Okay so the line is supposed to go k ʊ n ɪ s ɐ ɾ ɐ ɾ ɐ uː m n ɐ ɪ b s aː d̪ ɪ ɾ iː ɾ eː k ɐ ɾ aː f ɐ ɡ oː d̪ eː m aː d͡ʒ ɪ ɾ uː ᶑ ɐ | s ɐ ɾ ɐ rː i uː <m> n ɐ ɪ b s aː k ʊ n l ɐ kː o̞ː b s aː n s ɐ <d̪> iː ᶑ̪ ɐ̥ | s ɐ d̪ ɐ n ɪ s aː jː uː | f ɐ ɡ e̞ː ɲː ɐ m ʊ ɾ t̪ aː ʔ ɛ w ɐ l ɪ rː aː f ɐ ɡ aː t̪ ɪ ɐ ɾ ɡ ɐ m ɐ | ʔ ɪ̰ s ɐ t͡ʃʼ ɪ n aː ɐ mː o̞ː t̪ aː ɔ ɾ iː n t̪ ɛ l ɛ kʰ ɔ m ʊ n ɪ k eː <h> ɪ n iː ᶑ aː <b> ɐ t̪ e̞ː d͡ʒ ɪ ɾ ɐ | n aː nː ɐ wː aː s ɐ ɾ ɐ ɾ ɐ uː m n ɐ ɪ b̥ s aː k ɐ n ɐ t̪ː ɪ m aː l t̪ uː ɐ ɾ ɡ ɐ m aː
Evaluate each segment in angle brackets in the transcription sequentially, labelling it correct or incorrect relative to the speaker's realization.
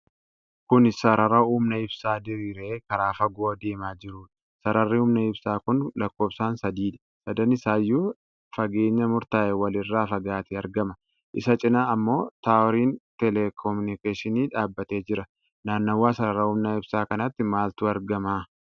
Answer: correct, correct, incorrect: ʃ, incorrect: bː

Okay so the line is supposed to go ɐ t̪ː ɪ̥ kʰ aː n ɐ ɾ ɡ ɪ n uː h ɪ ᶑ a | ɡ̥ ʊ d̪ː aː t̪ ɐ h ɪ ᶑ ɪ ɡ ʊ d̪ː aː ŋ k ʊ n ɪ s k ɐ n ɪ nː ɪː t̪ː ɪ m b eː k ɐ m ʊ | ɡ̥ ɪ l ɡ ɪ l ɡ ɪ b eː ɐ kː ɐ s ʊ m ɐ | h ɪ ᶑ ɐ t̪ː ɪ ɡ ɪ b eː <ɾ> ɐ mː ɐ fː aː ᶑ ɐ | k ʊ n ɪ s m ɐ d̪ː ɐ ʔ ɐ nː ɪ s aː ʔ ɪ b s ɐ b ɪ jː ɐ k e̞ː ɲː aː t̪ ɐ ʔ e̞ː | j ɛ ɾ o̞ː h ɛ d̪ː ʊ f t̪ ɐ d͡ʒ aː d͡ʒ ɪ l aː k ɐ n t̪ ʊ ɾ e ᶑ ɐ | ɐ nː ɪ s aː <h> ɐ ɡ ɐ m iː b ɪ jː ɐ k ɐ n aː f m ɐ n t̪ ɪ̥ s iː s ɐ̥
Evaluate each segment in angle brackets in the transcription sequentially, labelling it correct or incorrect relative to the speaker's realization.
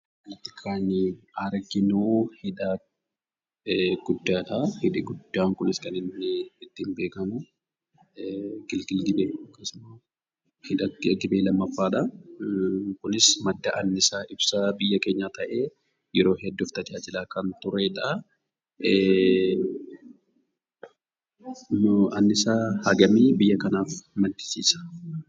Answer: incorrect: l, correct

